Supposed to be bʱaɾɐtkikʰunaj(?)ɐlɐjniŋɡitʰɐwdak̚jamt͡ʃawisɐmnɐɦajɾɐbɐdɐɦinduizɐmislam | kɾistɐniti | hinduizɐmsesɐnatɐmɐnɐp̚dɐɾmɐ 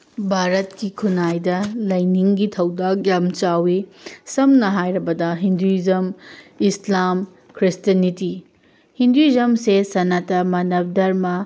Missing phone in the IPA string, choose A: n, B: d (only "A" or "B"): B